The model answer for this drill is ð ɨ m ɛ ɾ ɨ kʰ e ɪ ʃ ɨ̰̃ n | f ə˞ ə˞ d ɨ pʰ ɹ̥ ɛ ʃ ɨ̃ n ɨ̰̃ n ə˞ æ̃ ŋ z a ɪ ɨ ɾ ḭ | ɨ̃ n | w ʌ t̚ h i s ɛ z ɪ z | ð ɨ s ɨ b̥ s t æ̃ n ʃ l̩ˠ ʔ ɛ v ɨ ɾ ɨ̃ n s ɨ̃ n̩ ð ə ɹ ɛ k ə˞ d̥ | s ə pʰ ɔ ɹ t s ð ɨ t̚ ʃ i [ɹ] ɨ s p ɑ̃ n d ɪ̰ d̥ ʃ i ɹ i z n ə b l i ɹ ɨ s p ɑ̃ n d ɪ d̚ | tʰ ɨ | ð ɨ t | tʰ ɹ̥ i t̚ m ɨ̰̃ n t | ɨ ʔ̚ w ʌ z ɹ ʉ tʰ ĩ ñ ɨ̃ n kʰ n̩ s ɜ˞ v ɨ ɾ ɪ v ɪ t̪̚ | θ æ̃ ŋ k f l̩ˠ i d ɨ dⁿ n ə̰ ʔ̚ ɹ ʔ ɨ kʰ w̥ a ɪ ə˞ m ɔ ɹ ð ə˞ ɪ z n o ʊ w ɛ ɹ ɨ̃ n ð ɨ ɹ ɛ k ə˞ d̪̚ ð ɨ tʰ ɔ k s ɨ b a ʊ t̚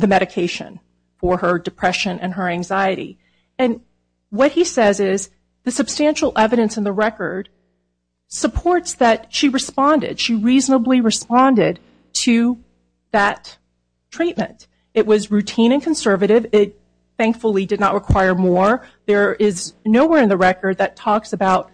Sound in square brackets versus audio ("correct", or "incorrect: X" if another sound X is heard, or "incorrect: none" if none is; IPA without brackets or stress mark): correct